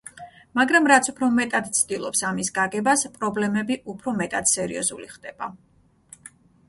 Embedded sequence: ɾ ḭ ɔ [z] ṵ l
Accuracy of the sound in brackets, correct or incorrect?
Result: correct